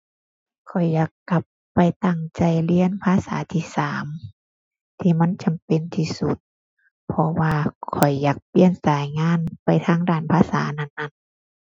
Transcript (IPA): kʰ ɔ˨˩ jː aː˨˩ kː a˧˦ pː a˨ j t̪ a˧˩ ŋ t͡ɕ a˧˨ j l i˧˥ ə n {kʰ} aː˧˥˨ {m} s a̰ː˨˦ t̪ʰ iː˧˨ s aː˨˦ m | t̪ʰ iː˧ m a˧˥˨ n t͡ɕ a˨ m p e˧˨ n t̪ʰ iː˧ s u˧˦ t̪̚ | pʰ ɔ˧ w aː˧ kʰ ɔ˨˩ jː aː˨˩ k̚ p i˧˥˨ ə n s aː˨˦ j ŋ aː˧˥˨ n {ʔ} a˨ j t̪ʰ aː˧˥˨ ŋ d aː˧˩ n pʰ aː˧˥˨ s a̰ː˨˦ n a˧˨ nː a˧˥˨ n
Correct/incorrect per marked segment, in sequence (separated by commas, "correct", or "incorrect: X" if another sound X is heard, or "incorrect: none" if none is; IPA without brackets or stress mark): incorrect: pʰ, incorrect: none, incorrect: p